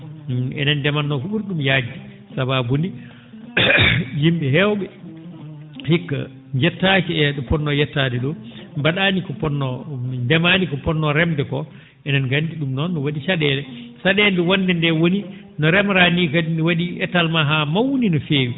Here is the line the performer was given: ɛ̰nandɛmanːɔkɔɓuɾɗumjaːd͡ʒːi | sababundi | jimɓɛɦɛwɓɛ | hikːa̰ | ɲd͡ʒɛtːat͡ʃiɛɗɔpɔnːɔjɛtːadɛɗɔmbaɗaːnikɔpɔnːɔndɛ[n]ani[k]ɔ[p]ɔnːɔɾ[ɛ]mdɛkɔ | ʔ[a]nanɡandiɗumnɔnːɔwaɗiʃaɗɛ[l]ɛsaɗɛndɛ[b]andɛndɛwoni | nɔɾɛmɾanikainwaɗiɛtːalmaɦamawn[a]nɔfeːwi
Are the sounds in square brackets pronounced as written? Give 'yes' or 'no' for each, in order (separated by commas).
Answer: no, yes, yes, yes, no, yes, no, no